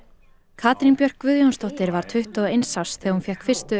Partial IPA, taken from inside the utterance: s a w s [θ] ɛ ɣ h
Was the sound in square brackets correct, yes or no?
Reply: yes